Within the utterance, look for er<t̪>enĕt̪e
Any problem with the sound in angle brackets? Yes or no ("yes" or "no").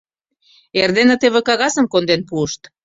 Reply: yes